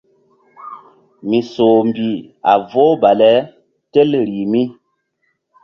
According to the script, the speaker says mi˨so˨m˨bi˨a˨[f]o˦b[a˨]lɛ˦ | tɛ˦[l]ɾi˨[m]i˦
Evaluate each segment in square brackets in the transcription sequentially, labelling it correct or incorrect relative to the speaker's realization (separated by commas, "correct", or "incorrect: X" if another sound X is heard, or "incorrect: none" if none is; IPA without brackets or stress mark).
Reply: incorrect: v, correct, correct, correct